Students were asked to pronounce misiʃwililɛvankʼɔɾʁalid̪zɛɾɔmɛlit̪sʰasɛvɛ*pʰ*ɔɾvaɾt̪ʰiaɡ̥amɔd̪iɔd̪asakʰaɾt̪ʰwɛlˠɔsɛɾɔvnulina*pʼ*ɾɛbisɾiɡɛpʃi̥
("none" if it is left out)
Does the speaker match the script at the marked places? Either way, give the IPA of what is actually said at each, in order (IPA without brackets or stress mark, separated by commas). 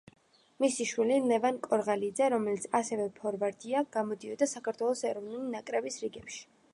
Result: pʰ, kʼ